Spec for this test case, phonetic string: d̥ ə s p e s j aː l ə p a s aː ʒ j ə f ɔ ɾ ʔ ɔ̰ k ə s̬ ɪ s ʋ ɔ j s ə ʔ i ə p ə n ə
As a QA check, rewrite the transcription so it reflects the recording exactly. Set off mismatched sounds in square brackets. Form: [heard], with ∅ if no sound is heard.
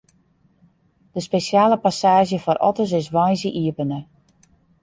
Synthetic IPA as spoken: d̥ ə s p e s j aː l ə p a s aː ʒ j ə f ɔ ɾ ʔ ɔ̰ [t] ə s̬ ɪ s ʋ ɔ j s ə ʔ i ə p ə n ə